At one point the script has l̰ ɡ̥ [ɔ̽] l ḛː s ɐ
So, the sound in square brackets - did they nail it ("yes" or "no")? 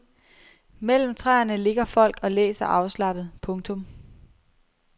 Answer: no